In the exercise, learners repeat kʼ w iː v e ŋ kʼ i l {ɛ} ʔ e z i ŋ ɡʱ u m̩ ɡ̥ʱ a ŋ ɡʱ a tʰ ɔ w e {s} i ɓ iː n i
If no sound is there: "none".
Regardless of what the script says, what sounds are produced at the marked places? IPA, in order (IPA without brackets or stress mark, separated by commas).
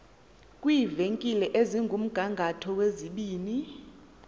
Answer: ɛ, z